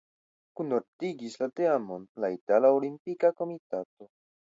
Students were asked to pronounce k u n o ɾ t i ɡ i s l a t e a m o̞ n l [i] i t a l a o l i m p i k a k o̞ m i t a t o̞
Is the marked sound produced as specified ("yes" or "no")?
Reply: no